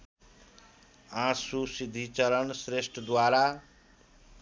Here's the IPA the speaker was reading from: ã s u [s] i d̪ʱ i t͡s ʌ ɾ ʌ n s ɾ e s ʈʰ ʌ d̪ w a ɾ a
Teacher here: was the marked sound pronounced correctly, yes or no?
yes